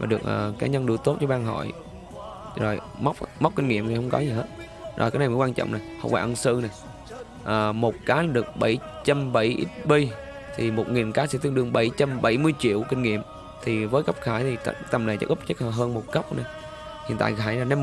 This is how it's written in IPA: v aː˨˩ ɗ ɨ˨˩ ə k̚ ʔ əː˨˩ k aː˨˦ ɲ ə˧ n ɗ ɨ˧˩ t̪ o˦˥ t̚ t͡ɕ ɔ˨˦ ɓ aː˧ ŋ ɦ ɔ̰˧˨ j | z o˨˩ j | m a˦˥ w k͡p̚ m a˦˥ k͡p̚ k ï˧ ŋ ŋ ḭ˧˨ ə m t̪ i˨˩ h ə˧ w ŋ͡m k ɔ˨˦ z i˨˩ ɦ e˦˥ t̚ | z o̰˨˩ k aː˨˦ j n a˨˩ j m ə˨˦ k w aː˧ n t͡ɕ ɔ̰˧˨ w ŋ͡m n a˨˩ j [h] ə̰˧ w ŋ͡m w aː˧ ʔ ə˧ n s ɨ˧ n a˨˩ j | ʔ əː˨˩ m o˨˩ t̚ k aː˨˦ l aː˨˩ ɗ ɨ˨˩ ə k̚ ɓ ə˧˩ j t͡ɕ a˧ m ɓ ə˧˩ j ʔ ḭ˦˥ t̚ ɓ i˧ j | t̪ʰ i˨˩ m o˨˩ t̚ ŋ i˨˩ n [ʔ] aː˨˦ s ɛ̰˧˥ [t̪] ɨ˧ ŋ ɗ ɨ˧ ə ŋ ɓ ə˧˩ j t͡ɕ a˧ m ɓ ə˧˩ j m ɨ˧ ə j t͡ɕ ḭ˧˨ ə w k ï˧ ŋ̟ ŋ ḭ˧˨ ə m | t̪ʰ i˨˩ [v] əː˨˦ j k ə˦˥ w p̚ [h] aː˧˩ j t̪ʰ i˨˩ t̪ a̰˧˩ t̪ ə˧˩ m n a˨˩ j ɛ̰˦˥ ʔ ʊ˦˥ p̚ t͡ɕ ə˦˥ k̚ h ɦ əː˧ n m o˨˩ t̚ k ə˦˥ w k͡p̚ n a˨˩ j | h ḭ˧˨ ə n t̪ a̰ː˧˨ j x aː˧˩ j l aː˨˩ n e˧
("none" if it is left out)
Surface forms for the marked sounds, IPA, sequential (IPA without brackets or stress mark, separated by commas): h, k, t̪, v, x